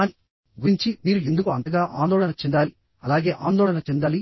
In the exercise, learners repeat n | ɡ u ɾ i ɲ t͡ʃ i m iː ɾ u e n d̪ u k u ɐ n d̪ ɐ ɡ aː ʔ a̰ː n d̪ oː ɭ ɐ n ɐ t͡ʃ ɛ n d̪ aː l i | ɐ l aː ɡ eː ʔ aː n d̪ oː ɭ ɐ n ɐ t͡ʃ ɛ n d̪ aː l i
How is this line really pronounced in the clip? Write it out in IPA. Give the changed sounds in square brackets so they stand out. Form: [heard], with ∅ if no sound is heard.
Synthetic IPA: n | ɡ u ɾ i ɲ t͡ʃ i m iː ɾ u e n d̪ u k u ɐ n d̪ ɐ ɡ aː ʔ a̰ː n d̪ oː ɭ ɐ n ɐ t͡ʃ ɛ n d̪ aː l i | ɐ l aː ɡ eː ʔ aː n d̪ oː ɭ ɐ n ɐ t͡ʃ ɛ n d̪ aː l i